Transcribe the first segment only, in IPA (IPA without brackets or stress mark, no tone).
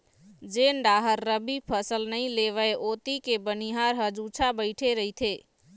d͡ʒ